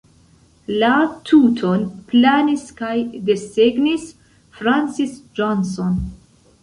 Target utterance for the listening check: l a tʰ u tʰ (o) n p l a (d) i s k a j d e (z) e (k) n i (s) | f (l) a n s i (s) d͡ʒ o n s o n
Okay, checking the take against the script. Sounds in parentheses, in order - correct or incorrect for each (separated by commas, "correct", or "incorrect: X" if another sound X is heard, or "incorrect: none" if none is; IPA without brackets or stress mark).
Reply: correct, incorrect: n, incorrect: s, incorrect: ɡ, correct, incorrect: ɾ, correct